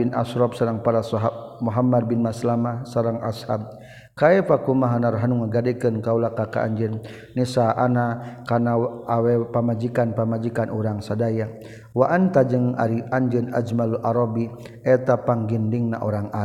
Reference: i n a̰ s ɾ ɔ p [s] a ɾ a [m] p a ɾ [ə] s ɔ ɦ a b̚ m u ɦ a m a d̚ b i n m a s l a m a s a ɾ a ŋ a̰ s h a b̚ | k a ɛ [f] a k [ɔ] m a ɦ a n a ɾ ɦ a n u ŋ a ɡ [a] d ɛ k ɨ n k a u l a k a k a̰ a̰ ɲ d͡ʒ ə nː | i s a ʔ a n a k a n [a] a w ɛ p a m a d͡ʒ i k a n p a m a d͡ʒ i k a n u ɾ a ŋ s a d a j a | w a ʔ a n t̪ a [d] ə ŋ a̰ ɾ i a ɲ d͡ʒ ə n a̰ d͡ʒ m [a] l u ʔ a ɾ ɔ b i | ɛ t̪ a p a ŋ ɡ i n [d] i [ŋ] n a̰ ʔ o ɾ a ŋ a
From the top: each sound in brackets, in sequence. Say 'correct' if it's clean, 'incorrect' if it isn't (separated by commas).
correct, incorrect, incorrect, correct, incorrect, correct, correct, incorrect, correct, correct, correct